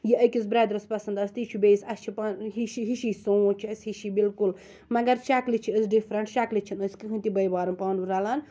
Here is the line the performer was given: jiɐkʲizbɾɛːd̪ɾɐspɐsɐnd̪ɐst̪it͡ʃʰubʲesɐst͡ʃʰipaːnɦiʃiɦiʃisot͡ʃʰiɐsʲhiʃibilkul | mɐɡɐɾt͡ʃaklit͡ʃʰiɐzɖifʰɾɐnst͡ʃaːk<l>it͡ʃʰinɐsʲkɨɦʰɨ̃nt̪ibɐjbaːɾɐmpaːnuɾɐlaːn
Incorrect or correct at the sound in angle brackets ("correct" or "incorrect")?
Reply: correct